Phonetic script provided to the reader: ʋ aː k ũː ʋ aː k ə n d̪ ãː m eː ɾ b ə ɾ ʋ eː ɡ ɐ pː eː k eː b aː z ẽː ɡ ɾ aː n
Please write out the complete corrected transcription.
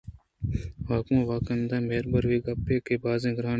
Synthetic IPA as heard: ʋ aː k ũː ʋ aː k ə n d̪ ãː m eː ɾ b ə ɾ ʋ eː ɡ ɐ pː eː k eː b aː z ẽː ɡ ɾ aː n